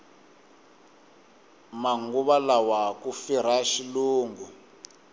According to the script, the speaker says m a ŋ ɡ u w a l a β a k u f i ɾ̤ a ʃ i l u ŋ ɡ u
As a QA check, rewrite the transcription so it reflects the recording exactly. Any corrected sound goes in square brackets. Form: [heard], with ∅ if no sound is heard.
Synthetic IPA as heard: m a ŋ ɡ u [β] a l a [w] a k u f i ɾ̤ a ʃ i l [uː] ŋ ɡ u